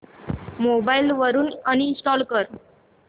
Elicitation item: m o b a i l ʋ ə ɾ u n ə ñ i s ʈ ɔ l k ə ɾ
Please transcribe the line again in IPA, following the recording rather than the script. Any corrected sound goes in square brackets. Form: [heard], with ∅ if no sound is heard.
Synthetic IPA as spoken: m o b a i l ʋ ə ɾ [uː] n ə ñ i s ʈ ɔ l k ə ɾ